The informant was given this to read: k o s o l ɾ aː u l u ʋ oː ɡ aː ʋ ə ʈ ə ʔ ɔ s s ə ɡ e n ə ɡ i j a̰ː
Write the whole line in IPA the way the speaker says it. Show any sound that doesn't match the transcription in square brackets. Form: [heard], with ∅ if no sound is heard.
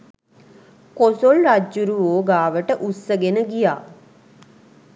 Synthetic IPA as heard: k o s o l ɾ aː u [ɾ] u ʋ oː ɡ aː ʋ ə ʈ ə ʔ [u] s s ə ɡ e n ə ɡ i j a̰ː